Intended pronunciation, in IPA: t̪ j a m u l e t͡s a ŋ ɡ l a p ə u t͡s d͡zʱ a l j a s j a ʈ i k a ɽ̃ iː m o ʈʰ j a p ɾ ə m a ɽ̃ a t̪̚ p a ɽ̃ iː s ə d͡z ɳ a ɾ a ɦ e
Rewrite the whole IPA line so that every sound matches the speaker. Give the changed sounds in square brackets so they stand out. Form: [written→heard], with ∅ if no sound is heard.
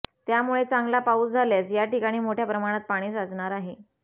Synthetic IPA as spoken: t̪ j a m u [l→ɭ] e t͡s a ŋ ɡ l a p [ə→a] u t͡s d͡zʱ a l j a s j a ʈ i k a ɽ̃ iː m o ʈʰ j a p ɾ ə m a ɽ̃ a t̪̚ p a ɽ̃ iː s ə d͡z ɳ a ɾ a ɦ e